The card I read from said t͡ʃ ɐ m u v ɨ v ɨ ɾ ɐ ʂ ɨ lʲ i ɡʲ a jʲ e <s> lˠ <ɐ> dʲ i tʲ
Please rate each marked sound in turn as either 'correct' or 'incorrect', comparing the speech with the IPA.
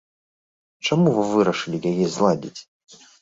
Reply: incorrect: z, incorrect: a

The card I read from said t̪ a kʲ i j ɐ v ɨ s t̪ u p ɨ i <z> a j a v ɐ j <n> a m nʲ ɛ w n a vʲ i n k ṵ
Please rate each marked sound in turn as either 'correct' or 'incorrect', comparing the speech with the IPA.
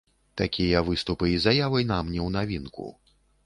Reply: correct, correct

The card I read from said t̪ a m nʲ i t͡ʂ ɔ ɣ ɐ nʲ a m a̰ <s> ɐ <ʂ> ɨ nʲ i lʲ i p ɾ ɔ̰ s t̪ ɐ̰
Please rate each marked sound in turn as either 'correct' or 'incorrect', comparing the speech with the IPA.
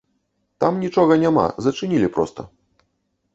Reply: incorrect: z, incorrect: t͡ʂ

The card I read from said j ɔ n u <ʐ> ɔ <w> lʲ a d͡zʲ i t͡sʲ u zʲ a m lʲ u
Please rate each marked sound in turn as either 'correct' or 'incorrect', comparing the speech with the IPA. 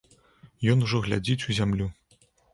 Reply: correct, incorrect: ɣ

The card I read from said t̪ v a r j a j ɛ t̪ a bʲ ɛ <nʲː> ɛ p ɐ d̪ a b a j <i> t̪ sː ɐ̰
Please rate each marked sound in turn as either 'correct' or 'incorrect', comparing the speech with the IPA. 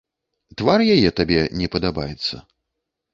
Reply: incorrect: nʲ, incorrect: ɛ

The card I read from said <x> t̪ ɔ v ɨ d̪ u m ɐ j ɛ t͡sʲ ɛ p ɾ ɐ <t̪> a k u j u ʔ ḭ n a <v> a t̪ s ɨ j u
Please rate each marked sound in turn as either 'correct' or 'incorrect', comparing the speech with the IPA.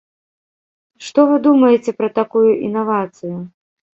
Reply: incorrect: ʂ, correct, correct

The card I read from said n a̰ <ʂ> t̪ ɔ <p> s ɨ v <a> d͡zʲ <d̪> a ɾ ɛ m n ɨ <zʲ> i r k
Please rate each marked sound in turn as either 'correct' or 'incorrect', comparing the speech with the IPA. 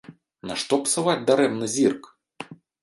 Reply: correct, correct, correct, correct, correct

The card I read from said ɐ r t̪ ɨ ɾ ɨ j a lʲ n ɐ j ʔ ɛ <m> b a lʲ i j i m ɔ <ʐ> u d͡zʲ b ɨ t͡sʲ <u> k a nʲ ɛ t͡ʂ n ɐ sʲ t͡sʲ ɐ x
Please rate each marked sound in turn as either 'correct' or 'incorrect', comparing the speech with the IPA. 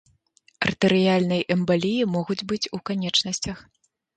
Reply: correct, incorrect: ɣ, correct

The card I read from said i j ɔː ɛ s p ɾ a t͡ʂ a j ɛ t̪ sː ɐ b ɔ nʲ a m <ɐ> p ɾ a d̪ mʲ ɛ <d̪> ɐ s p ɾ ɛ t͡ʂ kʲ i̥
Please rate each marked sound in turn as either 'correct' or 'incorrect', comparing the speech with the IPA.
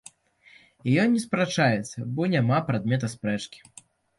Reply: incorrect: a, incorrect: t̪

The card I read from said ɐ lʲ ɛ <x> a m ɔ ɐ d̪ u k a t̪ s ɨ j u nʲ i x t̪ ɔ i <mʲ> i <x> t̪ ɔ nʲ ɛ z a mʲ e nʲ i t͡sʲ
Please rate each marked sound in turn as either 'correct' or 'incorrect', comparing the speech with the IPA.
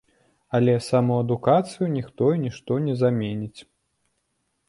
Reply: incorrect: s, incorrect: nʲ, incorrect: ʂ

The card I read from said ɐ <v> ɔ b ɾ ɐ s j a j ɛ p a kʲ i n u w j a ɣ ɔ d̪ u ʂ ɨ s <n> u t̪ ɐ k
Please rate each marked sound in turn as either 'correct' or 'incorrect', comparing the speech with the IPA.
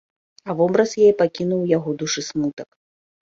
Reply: correct, incorrect: m

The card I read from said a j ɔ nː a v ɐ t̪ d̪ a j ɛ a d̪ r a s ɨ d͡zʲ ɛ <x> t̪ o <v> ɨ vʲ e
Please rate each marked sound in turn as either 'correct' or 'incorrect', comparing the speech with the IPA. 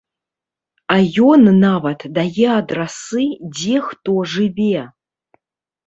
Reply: correct, incorrect: ʐ

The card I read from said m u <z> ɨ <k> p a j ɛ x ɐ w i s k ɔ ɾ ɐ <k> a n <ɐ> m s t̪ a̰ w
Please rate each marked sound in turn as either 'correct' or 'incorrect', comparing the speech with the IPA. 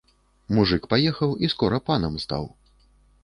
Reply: incorrect: ʐ, correct, incorrect: p, correct

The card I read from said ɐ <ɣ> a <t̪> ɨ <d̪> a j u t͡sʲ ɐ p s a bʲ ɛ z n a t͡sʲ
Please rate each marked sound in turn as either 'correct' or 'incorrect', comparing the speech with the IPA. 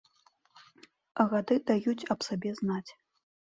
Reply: correct, incorrect: d̪, correct

